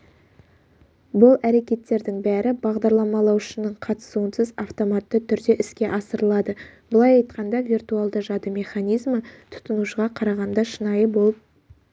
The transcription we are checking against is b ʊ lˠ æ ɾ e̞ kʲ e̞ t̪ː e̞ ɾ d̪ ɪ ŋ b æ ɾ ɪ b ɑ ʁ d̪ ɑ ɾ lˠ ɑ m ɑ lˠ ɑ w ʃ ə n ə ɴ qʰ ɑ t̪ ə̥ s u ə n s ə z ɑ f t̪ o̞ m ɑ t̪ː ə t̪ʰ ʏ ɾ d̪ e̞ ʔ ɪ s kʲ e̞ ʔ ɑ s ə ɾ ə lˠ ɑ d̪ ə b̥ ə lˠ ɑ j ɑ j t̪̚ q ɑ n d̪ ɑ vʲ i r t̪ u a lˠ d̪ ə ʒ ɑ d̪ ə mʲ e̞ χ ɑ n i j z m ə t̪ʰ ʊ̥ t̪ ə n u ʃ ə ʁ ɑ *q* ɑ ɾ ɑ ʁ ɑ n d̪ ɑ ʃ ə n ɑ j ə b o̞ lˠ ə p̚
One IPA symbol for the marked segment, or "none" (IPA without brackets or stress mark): qʰ